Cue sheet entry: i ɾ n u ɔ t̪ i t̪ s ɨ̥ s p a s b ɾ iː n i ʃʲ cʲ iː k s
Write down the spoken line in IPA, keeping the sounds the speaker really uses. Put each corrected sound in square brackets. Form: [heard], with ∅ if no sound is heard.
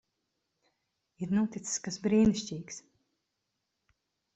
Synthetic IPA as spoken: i ɾ n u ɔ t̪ i t̪ s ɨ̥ s [k] a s b ɾ iː n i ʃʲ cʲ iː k s